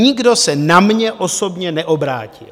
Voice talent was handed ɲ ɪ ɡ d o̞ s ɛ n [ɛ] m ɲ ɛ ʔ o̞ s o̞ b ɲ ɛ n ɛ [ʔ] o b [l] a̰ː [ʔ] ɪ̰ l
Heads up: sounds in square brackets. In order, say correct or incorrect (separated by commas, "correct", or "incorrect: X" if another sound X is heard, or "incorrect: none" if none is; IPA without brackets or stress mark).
incorrect: a, correct, incorrect: ɾ, incorrect: c